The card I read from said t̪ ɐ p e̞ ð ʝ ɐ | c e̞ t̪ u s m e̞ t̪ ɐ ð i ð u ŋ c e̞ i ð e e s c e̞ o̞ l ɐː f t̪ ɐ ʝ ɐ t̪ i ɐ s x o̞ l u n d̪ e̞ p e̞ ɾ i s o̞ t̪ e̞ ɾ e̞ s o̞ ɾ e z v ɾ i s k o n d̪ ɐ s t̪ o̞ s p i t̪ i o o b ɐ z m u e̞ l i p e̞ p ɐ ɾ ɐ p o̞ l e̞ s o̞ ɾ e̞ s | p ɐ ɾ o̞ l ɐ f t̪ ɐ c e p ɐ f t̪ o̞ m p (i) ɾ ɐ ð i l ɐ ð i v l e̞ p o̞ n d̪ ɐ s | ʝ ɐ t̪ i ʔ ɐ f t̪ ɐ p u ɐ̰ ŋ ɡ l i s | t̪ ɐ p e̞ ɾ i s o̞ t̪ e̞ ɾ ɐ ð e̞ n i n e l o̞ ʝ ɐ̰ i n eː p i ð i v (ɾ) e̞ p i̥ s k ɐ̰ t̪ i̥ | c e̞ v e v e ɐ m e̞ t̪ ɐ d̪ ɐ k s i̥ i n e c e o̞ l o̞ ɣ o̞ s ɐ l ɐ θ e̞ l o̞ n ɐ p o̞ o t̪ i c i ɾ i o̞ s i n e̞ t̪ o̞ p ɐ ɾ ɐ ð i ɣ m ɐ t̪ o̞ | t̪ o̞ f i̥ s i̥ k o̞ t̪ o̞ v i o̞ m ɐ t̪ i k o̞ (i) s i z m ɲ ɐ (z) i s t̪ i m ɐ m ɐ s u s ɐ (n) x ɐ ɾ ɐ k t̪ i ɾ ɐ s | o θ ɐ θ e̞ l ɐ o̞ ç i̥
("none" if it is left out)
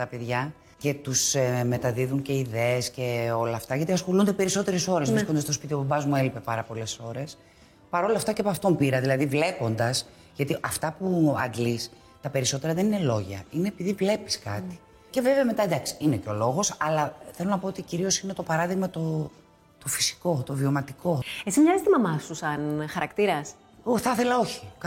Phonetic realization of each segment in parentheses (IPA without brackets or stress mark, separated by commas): i, l, e, z, n